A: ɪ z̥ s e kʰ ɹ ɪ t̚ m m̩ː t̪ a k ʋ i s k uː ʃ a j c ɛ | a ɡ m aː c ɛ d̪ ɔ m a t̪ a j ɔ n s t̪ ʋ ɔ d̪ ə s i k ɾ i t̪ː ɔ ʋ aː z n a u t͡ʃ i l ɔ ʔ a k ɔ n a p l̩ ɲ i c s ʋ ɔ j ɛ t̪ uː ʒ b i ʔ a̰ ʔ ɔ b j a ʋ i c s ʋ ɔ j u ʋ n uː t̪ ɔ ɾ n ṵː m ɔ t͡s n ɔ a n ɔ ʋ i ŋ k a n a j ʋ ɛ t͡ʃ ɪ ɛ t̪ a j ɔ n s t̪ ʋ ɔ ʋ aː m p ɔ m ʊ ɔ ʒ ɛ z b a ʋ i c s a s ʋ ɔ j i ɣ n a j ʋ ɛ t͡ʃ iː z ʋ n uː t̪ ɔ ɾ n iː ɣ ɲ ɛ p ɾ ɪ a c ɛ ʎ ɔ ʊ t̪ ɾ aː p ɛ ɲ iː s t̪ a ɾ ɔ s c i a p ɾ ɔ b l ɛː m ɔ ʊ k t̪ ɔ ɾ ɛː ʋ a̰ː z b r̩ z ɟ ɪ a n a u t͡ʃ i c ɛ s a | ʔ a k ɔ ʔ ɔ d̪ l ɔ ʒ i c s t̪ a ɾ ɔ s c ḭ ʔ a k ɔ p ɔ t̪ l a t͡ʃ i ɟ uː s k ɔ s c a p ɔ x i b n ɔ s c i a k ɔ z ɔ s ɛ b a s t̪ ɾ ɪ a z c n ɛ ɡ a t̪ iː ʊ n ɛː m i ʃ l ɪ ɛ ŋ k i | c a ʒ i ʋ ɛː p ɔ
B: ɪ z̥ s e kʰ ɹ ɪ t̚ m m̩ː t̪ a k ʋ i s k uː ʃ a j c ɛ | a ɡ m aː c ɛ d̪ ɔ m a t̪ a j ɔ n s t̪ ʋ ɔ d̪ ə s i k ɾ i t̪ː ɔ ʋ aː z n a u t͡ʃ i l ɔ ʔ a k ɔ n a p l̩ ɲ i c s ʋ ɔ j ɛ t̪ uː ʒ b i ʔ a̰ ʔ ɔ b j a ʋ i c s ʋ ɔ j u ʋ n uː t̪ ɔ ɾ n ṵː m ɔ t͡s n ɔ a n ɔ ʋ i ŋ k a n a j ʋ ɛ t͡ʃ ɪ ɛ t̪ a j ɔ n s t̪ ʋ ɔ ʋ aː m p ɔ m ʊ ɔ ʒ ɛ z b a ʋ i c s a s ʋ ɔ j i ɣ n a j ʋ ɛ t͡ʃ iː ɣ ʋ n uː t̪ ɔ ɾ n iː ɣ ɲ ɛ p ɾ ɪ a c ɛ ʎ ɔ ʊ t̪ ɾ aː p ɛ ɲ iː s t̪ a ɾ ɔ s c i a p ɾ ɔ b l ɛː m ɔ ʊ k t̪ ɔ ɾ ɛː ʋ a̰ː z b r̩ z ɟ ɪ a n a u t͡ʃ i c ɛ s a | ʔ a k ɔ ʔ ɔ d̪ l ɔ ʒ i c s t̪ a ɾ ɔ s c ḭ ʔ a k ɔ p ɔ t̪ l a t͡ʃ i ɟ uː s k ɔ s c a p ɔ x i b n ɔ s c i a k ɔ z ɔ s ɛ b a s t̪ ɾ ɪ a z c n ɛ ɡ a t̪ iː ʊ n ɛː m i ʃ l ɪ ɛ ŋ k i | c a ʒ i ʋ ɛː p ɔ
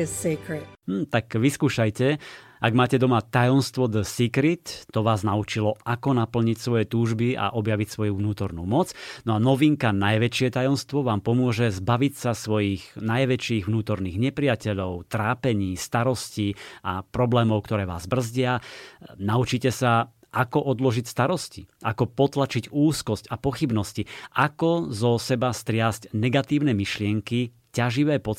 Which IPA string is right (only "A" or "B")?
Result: B